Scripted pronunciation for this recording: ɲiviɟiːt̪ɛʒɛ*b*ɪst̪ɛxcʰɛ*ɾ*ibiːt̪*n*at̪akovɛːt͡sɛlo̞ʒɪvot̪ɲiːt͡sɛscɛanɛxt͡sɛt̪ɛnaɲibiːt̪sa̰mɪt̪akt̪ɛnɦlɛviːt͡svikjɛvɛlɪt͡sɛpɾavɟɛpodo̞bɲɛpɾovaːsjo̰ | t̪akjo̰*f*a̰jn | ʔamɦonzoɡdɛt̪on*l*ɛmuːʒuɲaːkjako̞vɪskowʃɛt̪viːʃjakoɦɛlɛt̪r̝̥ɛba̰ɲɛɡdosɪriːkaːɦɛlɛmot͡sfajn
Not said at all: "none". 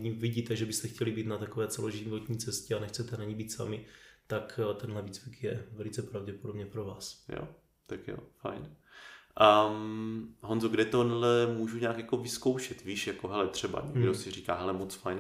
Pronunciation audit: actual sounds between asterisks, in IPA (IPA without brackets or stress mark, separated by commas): b, l, n, f, l